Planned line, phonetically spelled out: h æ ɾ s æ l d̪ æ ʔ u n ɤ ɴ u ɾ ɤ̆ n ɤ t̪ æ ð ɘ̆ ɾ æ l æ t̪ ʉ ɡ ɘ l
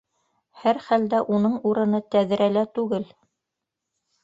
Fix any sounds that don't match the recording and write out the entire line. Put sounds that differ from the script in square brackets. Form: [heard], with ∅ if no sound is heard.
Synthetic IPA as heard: h æ ɾ [χ] æ l d̪ æ ʔ u n ɤ ɴ u ɾ ɤ̆ n ɤ t̪ æ ð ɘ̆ ɾ æ l æ t̪ ʉ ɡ ɘ l